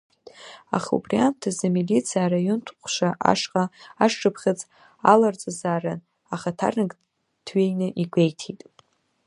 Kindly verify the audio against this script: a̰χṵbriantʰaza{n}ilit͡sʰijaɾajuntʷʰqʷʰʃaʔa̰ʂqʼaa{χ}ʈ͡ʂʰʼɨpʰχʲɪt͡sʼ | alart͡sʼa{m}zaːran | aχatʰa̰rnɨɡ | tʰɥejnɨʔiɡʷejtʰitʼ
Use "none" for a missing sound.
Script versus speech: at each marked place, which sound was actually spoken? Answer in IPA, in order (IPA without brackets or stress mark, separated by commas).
m, ʂ, none